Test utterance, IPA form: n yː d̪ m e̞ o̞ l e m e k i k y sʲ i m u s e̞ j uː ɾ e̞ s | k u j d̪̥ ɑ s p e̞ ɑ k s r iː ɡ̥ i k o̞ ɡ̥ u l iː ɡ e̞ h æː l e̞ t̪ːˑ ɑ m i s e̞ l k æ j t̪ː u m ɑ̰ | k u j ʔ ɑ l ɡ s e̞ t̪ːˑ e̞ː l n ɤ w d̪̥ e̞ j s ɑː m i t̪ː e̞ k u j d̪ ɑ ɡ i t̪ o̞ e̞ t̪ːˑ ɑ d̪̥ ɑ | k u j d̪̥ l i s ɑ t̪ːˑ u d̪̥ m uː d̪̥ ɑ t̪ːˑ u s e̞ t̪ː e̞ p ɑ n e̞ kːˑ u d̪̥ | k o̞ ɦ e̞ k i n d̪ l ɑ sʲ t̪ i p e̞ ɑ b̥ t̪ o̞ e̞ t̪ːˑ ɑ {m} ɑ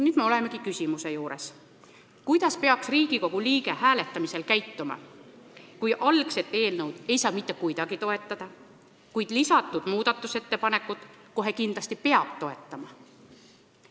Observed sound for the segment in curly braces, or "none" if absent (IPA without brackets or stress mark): m